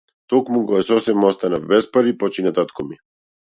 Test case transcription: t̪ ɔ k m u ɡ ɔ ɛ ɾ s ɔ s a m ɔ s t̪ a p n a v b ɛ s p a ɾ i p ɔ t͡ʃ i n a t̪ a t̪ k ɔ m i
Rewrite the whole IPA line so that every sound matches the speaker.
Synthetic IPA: t̪ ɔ k m u ɡ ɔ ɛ s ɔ s ɛ m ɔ s t̪ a n a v b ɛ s p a ɾ i p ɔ t͡ʃ i n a t̪ a t̪ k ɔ m i